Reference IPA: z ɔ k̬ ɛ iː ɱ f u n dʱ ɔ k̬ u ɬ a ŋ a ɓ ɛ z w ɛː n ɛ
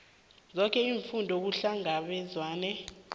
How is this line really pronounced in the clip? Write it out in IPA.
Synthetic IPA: z ɔ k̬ ɛ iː ɱ f u n dʱ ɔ k̬ u ɬ a ŋ a ɓ ɛ z w aː n ɛ